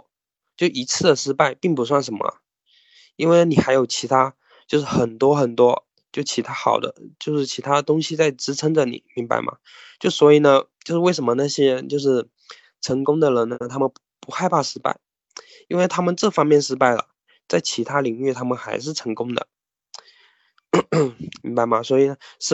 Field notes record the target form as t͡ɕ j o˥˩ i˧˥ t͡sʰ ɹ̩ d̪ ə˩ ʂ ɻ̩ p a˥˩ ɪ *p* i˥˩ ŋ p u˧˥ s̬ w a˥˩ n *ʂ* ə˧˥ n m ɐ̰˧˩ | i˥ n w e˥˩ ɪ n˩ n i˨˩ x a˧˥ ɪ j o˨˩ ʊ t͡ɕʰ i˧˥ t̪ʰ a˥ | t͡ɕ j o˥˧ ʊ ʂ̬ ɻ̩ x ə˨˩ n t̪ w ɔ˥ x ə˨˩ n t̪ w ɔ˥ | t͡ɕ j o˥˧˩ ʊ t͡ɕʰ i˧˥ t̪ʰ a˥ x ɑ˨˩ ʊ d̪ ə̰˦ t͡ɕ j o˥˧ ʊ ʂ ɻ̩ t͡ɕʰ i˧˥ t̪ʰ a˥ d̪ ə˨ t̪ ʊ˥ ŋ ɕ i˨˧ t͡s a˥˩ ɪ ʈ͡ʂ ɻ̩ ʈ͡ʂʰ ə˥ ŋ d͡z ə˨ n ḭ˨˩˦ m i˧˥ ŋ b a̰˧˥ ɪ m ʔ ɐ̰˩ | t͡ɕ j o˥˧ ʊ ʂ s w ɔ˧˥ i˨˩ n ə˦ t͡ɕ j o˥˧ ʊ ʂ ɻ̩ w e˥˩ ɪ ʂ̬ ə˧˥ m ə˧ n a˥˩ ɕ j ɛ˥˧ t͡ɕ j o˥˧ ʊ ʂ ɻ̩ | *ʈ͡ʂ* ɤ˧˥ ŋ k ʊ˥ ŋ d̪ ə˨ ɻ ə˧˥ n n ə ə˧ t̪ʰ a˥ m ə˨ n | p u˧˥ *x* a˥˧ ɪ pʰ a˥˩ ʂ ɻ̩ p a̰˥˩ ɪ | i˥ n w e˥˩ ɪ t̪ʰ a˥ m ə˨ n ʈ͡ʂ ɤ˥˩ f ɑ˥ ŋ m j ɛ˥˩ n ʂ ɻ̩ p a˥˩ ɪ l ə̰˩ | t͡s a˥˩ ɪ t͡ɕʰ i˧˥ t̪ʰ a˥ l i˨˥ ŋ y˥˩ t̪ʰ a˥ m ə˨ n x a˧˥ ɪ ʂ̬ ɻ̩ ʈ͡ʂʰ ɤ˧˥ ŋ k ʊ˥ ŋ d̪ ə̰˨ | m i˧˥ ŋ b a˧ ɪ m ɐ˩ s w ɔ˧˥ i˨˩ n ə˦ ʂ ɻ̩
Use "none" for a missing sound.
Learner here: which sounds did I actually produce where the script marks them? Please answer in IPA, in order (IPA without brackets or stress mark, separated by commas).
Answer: p, ʂ, ʈ͡ʂʰ, x